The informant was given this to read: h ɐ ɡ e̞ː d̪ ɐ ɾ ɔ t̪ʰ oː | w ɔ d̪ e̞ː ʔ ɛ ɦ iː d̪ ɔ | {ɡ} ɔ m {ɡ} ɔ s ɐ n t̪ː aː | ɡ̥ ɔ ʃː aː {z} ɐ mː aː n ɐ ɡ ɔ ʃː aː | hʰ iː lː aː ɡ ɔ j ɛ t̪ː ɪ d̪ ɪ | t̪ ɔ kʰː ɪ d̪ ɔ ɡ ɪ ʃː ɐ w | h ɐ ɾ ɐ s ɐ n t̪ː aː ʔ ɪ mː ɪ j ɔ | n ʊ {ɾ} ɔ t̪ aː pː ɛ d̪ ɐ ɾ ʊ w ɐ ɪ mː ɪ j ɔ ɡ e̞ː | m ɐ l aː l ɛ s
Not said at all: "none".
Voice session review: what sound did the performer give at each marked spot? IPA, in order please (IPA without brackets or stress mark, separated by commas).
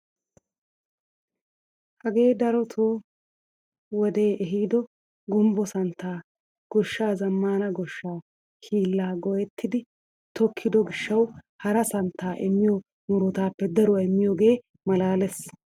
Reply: ɡ, b, z, ɾ